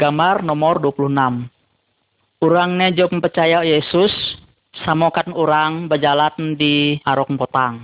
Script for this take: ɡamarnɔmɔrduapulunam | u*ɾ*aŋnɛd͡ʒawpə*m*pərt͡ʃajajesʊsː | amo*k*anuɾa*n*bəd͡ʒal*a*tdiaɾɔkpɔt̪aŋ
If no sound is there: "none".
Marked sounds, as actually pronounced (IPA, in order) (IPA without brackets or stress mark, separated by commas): ɾ, m, k, ŋ, a